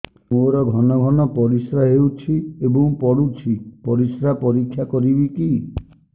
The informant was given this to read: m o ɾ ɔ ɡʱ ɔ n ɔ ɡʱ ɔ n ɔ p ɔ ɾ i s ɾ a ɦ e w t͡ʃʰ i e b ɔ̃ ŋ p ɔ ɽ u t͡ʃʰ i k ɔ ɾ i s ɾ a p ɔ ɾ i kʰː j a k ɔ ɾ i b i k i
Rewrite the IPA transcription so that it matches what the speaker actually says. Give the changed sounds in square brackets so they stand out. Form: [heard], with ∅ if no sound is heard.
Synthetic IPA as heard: m o ɾ ɔ ɡʱ ɔ n ɔ ɡʱ ɔ n ɔ p ɔ ɾ i s ɾ a ɦ e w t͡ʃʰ i e b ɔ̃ ŋ p ɔ ɽ u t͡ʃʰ i [p] ɔ ɾ i s ɾ a p ɔ ɾ i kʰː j a k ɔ ɾ i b i k i